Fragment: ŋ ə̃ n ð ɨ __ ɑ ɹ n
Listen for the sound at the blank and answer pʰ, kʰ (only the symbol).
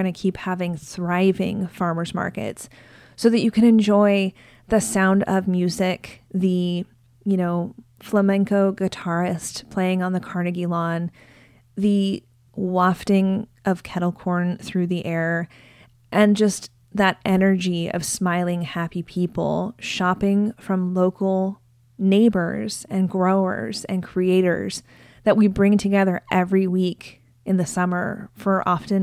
kʰ